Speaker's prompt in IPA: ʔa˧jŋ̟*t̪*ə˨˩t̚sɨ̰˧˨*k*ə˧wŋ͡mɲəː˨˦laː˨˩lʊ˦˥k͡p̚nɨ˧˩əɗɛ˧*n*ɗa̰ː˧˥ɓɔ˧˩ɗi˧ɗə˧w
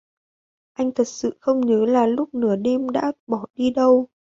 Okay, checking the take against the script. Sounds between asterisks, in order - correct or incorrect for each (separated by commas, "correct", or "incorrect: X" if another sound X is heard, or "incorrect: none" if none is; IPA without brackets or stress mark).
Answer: incorrect: t̪ʰ, incorrect: x, incorrect: m